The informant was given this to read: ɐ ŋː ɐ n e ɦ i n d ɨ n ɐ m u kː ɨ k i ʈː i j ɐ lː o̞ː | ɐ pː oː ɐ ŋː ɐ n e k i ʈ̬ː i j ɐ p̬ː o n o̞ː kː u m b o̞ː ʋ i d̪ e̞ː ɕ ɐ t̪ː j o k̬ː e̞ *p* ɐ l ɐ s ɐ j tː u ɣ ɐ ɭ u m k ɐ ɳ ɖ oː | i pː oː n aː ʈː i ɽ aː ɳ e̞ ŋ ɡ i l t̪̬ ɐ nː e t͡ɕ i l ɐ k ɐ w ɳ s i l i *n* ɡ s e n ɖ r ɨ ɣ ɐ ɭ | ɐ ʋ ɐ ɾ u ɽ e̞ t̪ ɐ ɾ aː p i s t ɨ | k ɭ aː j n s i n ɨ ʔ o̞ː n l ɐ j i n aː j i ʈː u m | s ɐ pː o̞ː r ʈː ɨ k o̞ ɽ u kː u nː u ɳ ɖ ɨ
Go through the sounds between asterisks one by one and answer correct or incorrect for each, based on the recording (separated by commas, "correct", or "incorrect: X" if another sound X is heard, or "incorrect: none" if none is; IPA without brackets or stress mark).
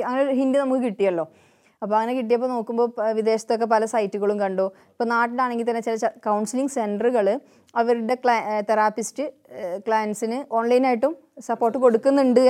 correct, incorrect: ŋ